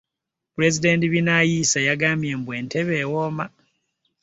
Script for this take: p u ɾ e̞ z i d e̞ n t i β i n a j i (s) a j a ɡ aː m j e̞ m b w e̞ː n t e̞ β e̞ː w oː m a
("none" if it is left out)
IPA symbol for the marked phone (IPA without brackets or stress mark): s